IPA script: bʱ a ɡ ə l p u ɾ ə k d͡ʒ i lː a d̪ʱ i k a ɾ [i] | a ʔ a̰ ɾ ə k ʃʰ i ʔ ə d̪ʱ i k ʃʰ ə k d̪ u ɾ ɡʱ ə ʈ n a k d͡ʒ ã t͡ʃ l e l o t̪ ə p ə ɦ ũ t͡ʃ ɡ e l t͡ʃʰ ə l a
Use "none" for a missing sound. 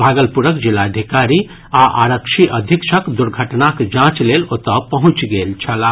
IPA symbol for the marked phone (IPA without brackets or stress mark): i